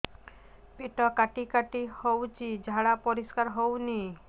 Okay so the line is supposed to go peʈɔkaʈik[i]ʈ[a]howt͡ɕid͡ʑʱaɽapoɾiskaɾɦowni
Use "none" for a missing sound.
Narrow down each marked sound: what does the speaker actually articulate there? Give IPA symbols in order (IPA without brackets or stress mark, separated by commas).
a, i